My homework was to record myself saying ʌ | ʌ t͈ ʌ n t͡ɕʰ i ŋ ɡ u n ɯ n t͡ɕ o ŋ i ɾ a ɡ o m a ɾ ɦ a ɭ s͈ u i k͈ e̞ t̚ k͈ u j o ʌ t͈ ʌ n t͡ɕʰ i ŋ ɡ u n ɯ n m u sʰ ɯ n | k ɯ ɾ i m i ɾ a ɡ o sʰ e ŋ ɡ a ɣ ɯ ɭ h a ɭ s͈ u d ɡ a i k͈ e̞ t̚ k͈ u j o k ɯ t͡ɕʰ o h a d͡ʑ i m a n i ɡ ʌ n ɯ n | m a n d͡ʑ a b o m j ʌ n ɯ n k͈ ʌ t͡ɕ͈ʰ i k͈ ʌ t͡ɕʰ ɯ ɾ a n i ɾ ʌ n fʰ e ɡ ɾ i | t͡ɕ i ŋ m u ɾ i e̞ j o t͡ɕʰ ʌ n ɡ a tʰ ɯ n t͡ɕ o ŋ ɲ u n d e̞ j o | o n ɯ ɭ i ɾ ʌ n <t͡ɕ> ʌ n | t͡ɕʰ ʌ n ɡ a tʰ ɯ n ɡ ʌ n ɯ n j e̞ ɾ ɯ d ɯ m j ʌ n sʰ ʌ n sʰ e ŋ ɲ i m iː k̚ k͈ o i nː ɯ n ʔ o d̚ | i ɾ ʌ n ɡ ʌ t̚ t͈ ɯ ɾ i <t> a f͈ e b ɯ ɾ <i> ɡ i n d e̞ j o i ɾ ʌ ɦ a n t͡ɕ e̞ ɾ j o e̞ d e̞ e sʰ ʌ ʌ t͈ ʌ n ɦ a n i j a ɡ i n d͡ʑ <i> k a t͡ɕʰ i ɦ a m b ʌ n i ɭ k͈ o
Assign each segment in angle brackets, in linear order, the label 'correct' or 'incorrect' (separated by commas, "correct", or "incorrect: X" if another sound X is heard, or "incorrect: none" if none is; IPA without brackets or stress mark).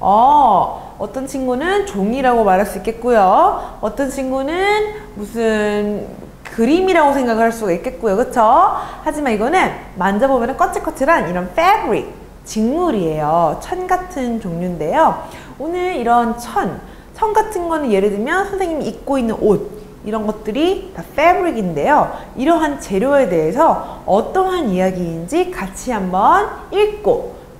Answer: incorrect: t͡ɕʰ, correct, correct, correct